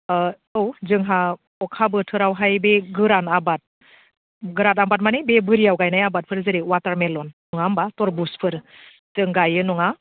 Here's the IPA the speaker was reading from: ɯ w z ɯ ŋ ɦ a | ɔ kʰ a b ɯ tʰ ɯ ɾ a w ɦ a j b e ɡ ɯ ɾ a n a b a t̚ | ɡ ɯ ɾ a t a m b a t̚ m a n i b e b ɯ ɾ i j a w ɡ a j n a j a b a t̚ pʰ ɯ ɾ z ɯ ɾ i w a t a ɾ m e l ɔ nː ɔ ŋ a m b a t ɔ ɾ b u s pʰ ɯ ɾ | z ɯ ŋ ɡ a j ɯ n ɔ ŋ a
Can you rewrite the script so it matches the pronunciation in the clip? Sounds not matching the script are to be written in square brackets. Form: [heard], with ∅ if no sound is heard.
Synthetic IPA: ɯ w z ɯ ŋ ɦ a | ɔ kʰ a b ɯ tʰ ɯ ɾ a w ɦ a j b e ɡ ɯ ɾ a n a b a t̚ | ɡ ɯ ɾ a t a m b a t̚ m a n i b e b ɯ ɾ i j a w ɡ a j n a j a b a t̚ pʰ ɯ ɾ z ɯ ɾ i w a t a ɾ m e l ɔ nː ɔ ŋ a m b a t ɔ ɾ b u s pʰ ɯ ɾ | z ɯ ŋ ɡ a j ɯ n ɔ ŋ a

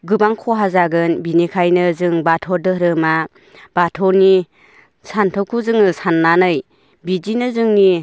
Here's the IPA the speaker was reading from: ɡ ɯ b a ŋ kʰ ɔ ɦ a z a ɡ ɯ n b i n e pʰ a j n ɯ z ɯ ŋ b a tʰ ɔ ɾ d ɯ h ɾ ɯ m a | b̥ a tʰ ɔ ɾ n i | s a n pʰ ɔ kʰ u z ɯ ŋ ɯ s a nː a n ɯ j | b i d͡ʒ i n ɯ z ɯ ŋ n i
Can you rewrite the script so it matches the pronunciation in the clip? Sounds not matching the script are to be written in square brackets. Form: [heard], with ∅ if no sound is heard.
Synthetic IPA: ɡ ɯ b a ŋ kʰ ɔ ɦ a z a ɡ ɯ n b i n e [kʰ] a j n ɯ z ɯ ŋ b a tʰ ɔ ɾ d ɯ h ɾ ɯ m a | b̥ a tʰ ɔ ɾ n i | s a n [tʰ] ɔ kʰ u z ɯ ŋ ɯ s a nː a n ɯ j | b i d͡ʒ i n ɯ z ɯ ŋ n i

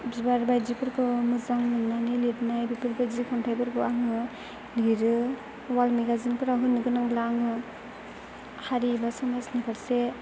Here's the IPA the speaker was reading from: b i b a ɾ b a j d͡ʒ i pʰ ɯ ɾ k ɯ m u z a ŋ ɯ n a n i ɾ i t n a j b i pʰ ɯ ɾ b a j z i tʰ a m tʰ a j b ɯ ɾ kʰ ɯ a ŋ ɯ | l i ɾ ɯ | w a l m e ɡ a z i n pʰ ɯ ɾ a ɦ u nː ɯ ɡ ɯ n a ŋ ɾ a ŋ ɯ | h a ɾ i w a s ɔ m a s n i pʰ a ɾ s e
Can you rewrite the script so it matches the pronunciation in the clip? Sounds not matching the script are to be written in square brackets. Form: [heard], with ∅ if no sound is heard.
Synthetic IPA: b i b a ɾ b a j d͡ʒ i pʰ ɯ ɾ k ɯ m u z a ŋ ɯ n a n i [l] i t n a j b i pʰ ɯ ɾ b a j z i [kʰ] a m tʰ a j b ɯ ɾ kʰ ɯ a ŋ ɯ | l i ɾ ɯ | w a l m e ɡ a z i n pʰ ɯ ɾ a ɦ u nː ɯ ɡ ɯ n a ŋ [l] a ŋ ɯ | h a ɾ i [b] a s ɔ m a s n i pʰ a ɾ s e

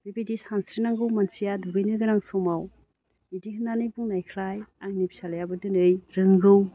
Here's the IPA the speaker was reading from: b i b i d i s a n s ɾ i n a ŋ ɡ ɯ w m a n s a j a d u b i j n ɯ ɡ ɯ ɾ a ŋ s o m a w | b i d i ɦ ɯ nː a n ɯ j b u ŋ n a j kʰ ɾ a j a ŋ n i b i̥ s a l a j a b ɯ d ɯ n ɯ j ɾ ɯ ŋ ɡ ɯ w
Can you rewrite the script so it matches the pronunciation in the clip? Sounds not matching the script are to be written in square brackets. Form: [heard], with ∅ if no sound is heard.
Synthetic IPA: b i b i d i s a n s ɾ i n a ŋ ɡ ɯ w m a n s [i] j a d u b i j n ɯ ɡ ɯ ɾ a ŋ s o m a w | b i d i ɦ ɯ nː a n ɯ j b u ŋ n a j kʰ ɾ a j a ŋ n i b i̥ s a l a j a b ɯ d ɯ n ɯ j ɾ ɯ ŋ ɡ ɯ w

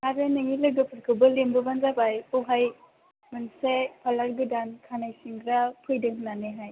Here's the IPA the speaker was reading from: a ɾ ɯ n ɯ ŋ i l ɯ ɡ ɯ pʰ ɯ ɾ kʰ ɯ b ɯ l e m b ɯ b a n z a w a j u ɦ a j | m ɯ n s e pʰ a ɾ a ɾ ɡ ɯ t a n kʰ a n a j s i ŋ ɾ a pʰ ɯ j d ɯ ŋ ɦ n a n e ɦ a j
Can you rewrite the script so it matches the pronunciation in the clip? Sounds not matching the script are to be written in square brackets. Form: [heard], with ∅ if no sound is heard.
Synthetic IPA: a ɾ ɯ n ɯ ŋ i l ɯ ɡ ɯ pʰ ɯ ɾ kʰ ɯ b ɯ l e m b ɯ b a n z a [b] a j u ɦ a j | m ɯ n s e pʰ a [l] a ɾ ɡ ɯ [d] a n kʰ a n a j s i ŋ ɾ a pʰ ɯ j d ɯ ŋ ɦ n a n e ɦ a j

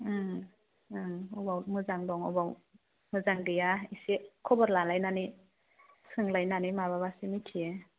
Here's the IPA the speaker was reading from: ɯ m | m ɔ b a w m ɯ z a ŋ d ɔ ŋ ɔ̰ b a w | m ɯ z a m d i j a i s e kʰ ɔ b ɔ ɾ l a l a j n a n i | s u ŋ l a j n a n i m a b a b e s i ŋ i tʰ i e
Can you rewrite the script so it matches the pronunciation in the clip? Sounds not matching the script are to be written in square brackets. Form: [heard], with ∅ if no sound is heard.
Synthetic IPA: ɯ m | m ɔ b a w m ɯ z a ŋ d ɔ ŋ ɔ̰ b a w | m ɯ z a [ŋ] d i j a i s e kʰ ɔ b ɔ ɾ l a l a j n a n i | s [ɯ] ŋ l a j n a n i m a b a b [a] s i [m] i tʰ i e

